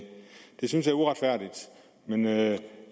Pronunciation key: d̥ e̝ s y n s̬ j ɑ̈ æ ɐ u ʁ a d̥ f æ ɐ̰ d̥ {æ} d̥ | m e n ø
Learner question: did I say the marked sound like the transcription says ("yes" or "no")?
no